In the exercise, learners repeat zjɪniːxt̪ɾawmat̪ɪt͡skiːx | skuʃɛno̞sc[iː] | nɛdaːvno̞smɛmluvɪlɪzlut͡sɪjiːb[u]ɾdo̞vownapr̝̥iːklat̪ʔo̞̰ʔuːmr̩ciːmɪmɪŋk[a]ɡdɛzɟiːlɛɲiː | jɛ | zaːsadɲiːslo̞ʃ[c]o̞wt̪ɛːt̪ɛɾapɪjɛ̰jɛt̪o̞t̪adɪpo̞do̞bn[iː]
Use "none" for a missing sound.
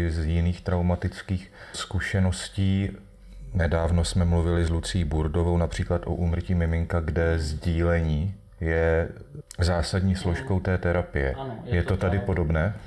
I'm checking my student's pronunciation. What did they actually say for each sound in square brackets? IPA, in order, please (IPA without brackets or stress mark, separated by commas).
iː, u, a, k, ɛː